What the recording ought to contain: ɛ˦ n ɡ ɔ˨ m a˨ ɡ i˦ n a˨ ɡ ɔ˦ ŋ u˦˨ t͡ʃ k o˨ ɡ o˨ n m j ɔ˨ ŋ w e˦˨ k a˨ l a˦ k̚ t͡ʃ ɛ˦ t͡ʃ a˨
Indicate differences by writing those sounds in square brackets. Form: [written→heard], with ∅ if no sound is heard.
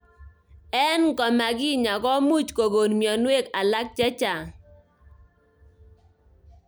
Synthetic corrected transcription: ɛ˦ n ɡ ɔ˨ m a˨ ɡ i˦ [n→ɲ] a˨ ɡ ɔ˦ [ŋ→m] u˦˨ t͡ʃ k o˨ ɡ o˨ n m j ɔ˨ [ŋ→n] w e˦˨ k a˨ l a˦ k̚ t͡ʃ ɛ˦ t͡ʃ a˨